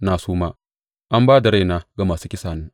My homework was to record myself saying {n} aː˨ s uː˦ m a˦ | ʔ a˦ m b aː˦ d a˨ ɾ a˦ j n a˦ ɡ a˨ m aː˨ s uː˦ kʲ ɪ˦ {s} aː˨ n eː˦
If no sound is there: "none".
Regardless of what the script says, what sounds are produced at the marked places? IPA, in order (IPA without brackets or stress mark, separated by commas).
n, s